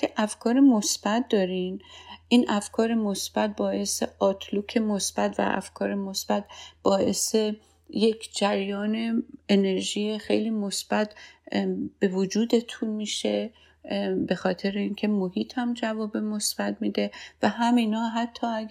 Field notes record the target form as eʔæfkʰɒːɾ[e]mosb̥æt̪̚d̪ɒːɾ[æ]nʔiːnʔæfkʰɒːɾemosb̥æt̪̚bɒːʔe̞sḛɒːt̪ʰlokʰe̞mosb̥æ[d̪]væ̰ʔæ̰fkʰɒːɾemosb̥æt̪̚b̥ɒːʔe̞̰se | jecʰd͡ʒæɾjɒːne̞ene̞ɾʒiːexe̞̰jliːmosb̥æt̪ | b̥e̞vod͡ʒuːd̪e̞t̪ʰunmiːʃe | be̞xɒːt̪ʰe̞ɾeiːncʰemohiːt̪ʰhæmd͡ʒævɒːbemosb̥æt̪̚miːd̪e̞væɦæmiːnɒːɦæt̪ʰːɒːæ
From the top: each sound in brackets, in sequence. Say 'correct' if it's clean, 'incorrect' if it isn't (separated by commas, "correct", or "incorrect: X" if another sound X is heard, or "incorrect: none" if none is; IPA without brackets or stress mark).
correct, incorrect: i, incorrect: t̪